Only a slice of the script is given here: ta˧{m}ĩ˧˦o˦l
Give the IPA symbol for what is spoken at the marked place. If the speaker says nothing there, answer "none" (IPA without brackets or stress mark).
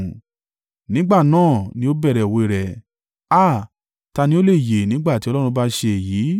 n